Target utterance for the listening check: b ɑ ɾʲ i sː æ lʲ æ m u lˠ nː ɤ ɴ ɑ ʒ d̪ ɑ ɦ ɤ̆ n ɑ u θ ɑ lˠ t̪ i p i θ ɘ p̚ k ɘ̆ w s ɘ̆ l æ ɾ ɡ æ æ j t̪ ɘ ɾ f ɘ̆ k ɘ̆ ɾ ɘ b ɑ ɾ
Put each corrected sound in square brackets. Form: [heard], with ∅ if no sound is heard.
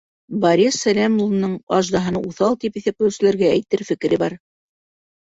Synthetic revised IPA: b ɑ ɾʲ i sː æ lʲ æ m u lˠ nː ɤ ɴ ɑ ʒ d̪ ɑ ɦ ɤ̆ n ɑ u θ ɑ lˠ t̪ i p i θ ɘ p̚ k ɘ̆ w s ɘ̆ l æ ɾ ɡ æ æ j t̪ ɘ ɾ f ɘ̆ k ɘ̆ ɾ ɘ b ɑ ɾ